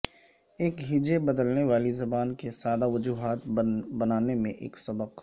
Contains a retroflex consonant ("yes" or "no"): no